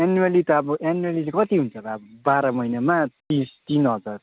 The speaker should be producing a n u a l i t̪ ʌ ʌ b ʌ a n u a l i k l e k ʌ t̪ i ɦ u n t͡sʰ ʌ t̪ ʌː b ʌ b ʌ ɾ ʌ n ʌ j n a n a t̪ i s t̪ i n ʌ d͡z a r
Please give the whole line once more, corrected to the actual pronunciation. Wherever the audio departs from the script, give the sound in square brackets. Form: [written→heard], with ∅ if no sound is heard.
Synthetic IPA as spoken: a n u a l i t̪ ʌ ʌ b ʌ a n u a l i [k→∅] l e k ʌ t̪ i ɦ u n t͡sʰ ʌ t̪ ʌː b ʌ b [ʌ→a] ɾ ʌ [n→m] ʌ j n a [n→m] a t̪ i s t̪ i n ʌ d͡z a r